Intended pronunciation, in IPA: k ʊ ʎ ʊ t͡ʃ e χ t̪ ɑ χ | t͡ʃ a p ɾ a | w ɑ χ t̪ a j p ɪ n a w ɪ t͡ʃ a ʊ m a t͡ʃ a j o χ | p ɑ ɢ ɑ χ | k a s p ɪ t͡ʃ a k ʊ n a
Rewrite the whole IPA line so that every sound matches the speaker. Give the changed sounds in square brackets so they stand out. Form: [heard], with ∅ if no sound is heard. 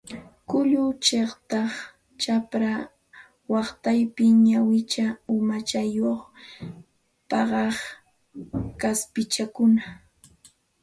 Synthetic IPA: k ʊ ʎ ʊ t͡ʃ e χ t̪ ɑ χ | t͡ʃ a p ɾ a | w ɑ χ t̪ a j p ɪ [ɲ] a w ɪ t͡ʃ a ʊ m a t͡ʃ a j o χ | p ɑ ɢ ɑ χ | k a s p ɪ t͡ʃ a k ʊ n a